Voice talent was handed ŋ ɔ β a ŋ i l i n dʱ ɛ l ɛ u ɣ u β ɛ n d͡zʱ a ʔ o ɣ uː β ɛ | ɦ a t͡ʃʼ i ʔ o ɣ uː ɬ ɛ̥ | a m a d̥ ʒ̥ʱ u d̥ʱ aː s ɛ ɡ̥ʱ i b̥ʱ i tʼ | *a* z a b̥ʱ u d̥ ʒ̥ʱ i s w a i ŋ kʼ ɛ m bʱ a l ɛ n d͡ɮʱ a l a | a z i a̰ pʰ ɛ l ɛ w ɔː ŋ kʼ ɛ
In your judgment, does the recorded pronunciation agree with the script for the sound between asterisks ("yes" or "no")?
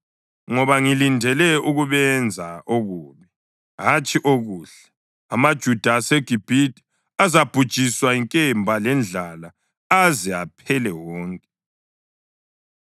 yes